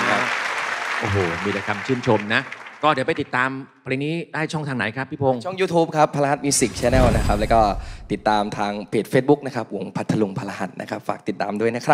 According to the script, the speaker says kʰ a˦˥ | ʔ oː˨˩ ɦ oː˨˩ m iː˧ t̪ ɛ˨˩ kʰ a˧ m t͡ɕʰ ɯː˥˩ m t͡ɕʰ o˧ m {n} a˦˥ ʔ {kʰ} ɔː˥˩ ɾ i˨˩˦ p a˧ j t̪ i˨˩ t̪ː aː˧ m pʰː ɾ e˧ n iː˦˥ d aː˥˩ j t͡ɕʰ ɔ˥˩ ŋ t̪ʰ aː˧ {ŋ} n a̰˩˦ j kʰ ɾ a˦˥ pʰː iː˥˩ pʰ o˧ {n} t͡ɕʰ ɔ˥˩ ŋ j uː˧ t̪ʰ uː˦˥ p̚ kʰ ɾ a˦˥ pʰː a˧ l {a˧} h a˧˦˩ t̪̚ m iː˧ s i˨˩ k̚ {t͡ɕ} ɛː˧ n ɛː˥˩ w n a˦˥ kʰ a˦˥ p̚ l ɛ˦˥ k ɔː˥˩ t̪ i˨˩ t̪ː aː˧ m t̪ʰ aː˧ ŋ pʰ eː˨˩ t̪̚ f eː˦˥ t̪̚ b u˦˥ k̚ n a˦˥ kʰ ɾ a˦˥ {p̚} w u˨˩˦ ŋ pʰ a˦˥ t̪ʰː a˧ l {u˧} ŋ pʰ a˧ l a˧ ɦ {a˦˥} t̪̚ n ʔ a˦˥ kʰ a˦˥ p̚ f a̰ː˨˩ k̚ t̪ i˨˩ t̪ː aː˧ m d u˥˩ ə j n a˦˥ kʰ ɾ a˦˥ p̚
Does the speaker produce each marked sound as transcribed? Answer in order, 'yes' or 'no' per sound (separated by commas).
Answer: yes, no, yes, no, yes, no, yes, yes, yes